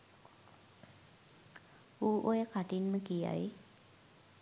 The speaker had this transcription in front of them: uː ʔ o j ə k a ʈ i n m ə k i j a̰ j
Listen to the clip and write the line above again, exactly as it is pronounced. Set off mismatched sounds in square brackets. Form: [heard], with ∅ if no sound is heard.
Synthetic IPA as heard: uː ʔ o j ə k a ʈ i n m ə k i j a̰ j